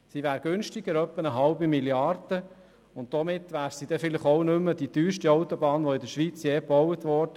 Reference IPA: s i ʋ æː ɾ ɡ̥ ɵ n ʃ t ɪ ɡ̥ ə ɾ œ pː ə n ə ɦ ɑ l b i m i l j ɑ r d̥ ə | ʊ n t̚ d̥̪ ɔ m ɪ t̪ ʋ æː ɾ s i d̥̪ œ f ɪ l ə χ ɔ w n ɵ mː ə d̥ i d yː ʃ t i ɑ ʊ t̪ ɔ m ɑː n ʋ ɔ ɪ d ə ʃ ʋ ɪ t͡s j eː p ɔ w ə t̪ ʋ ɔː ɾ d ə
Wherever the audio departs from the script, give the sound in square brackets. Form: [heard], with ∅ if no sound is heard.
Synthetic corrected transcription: s i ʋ æː ɾ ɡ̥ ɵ n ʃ t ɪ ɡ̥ ə ɾ œ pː ə n ə ɦ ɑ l b i m i l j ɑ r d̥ ə | ʊ n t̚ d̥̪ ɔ m ɪ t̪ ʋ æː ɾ s i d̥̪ [ɛ] f ɪ l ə χ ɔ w n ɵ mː ə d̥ i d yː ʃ t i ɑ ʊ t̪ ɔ [b] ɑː n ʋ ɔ ɪ d ə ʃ ʋ [i] t͡s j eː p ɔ w ə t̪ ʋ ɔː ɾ d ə